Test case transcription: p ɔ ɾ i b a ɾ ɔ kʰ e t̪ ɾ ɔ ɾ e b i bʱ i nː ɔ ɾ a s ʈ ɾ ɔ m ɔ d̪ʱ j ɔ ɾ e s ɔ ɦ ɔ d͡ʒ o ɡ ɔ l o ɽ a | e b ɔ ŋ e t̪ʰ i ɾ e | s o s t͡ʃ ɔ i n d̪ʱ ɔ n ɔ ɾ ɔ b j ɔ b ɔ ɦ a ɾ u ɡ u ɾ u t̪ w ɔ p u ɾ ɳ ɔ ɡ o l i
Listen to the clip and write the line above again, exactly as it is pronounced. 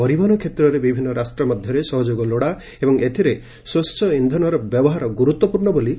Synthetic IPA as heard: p ɔ ɾ i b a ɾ ɔ kʰ e t̪ ɾ ɔ ɾ e b i bʱ i nː ɔ ɾ a s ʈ ɾ ɔ m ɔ d̪ʱ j ɔ ɾ e s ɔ ɦ ɔ d͡ʒ o ɡ ɔ l o ɽ a | e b ɔ ŋ e t̪ʰ i ɾ e | s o s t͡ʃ ɔ i n d̪ʱ ɔ n ɔ ɾ ɔ b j ɔ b ɔ ɦ a ɾ ɔ ɡ u ɾ u t̪ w ɔ p u ɾ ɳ ɔ b o l i